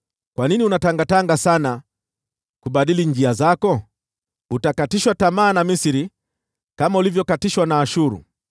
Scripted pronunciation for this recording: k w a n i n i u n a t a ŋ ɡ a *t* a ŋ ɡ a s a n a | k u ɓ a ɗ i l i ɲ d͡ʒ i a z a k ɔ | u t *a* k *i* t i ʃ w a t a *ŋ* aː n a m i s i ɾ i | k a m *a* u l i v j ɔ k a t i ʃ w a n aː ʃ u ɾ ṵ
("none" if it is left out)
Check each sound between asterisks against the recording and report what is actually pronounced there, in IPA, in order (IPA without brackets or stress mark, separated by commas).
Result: t, a, a, m, a